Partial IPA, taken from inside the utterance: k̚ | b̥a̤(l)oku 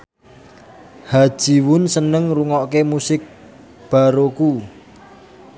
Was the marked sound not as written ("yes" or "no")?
yes